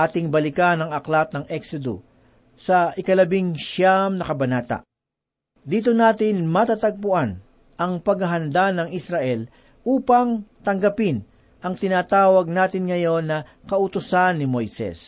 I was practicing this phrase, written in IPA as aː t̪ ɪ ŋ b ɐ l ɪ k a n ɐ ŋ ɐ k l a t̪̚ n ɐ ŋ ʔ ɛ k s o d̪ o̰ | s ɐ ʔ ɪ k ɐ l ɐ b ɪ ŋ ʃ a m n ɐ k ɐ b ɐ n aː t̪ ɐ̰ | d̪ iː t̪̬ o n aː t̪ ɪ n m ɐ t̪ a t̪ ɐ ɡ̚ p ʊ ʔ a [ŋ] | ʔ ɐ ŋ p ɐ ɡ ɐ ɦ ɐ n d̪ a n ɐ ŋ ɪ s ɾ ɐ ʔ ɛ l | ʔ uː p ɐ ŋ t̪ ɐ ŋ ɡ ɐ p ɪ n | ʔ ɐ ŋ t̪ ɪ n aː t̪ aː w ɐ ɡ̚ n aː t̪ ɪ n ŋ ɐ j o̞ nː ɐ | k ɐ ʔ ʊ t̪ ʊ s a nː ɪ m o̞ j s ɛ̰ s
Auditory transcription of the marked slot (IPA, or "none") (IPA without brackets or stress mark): n